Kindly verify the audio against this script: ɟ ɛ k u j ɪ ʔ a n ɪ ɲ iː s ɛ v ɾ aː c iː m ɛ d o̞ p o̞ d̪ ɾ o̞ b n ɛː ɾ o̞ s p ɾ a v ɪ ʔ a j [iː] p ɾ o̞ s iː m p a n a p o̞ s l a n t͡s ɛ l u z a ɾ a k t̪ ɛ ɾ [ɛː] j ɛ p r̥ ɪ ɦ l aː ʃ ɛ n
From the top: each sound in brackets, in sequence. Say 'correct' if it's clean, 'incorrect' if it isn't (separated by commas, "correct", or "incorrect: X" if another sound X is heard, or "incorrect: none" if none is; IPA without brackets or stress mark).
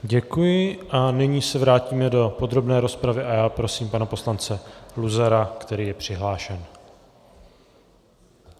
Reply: incorrect: aː, incorrect: iː